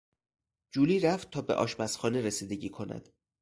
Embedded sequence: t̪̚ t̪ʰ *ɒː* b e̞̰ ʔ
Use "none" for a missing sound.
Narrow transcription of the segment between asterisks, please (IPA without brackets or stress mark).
ɒː